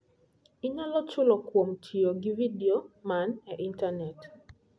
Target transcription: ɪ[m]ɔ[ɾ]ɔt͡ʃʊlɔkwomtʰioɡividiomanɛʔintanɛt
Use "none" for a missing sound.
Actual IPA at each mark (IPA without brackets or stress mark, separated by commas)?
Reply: ɲ, l